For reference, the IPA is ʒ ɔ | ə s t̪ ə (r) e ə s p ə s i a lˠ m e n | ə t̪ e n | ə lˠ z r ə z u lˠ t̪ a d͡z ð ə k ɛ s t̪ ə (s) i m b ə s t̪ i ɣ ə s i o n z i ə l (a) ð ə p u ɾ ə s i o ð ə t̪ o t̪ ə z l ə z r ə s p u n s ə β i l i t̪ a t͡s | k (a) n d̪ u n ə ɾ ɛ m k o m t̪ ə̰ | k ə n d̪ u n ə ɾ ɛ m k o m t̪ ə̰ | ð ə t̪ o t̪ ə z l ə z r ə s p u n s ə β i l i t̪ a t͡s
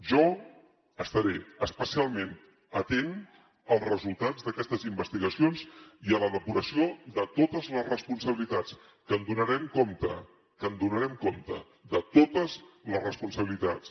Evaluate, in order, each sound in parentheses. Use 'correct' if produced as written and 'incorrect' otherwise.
incorrect, incorrect, incorrect, incorrect

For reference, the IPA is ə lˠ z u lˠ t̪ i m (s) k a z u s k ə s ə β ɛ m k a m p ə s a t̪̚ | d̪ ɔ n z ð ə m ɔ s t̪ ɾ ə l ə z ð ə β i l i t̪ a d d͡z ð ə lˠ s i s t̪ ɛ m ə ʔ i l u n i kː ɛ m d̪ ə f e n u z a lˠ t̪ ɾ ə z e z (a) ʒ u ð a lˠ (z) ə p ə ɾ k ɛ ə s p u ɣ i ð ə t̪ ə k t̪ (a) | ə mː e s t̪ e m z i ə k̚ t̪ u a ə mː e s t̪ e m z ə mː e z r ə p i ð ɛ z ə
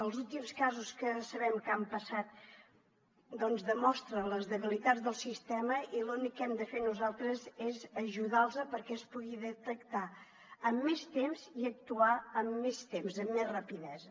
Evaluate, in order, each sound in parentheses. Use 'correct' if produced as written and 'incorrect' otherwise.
correct, incorrect, correct, correct

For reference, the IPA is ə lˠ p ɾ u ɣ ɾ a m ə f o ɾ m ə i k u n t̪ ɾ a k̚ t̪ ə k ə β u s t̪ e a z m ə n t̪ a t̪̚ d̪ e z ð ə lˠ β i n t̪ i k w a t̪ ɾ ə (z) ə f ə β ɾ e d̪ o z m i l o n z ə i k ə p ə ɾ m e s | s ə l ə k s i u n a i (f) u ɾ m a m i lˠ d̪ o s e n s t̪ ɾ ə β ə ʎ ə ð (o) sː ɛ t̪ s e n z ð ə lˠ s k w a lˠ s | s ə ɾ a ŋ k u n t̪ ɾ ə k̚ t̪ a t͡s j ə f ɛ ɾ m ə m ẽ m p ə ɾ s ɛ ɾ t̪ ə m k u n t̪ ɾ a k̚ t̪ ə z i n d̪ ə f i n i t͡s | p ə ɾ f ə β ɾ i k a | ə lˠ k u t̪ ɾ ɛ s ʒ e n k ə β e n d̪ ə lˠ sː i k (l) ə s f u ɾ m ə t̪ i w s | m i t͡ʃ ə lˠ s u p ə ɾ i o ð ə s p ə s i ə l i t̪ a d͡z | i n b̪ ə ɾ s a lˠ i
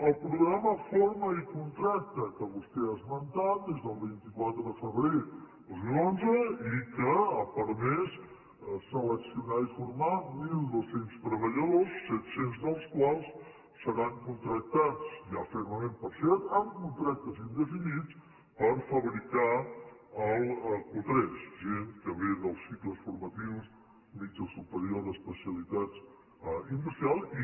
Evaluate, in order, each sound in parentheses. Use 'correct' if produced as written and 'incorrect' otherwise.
incorrect, correct, correct, correct

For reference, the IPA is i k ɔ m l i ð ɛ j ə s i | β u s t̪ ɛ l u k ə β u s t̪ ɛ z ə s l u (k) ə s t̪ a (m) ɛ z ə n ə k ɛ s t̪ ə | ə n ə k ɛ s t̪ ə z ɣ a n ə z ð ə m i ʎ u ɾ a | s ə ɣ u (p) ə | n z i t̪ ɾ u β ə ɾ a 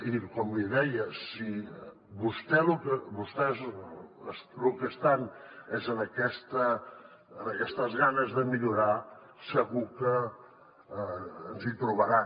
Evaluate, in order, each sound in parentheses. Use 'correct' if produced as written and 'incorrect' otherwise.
correct, incorrect, incorrect

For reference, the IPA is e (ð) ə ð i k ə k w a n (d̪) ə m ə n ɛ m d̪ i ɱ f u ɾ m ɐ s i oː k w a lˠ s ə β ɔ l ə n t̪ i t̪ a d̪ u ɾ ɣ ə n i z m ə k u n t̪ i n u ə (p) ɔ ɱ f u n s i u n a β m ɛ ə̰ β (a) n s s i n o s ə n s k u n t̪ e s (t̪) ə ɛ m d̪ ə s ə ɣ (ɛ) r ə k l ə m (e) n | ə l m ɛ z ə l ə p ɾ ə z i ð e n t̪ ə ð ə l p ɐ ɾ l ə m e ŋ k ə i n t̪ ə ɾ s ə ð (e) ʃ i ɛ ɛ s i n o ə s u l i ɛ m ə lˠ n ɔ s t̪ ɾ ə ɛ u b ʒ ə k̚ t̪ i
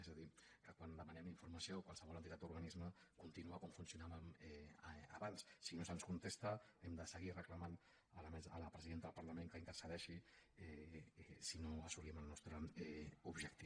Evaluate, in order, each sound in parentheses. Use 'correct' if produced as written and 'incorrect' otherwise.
incorrect, correct, incorrect, correct, correct, incorrect, incorrect, incorrect

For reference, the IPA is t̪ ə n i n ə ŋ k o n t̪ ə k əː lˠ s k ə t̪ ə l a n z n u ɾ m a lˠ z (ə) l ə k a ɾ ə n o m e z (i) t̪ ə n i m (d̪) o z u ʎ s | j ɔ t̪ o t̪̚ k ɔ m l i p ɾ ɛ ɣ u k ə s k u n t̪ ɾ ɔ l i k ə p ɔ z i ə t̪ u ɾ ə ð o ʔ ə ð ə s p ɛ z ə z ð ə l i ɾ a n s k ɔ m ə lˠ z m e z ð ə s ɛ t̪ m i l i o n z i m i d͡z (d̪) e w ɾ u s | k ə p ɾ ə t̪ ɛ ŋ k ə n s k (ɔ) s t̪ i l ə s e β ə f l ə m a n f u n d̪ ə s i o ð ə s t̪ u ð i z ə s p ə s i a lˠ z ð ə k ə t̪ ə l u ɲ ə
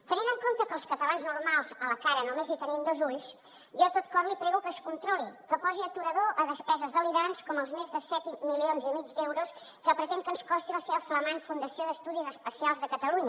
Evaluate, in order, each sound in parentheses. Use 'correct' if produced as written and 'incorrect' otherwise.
correct, correct, correct, correct, correct

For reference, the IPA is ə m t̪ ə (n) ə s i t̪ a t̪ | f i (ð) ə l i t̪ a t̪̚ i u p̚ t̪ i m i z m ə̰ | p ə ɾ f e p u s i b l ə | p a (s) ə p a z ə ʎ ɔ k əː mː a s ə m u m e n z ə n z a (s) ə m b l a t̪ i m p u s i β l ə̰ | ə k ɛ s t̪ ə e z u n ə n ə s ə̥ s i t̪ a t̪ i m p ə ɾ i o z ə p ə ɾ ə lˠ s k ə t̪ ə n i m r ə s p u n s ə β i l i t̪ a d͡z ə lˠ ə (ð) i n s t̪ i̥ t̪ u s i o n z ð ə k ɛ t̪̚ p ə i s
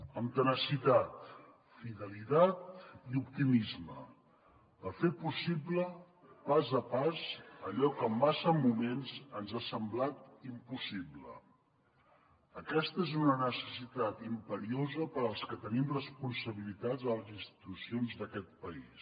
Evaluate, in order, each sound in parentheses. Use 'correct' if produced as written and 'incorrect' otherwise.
correct, correct, incorrect, correct, incorrect

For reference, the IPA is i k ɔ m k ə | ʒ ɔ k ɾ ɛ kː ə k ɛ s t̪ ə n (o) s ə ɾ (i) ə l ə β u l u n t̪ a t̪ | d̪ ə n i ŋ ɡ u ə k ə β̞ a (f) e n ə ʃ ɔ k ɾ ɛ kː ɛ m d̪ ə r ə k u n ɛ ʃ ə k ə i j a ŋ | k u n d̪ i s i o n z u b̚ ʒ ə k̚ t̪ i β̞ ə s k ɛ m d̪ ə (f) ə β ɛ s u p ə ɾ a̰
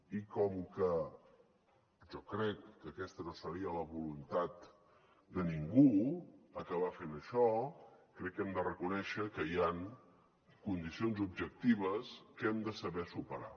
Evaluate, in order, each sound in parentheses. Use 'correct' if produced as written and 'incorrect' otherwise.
correct, correct, correct, incorrect

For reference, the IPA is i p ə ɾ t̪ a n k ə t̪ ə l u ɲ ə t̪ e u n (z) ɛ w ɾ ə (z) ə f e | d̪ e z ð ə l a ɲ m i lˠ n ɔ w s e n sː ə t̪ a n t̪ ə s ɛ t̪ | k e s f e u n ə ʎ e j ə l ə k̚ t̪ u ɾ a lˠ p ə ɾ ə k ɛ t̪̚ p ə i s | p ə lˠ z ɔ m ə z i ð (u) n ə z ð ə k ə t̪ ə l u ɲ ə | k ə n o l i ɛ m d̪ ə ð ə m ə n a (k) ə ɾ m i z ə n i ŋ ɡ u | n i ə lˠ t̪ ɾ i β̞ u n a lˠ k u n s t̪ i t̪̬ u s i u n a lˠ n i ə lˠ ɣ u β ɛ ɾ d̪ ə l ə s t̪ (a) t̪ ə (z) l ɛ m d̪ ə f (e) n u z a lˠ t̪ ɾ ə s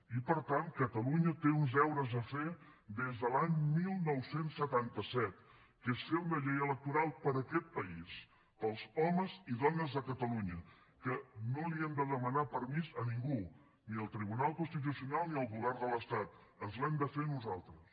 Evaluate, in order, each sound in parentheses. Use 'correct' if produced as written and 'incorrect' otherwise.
correct, correct, incorrect, incorrect, correct, correct, correct

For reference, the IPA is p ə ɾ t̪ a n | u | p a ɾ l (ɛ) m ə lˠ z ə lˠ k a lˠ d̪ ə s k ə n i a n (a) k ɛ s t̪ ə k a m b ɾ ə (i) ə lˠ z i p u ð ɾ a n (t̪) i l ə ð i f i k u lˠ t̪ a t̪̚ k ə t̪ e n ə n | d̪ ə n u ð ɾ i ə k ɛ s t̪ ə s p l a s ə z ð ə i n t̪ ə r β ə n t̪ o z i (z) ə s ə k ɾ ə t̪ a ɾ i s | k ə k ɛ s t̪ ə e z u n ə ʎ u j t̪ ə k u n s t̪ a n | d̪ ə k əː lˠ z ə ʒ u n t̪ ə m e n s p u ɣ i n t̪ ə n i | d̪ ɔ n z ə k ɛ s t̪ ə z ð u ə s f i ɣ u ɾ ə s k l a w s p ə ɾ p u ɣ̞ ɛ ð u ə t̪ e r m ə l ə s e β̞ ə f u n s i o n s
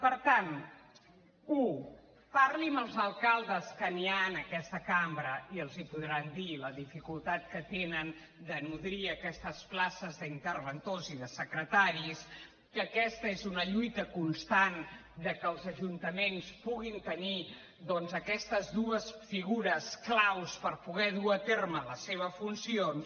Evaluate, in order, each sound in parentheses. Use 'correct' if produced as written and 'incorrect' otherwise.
incorrect, incorrect, correct, incorrect, incorrect

